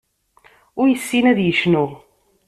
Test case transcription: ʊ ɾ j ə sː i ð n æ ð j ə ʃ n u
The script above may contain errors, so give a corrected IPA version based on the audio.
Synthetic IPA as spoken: ʊ ɾ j ə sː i n æ ð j ə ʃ n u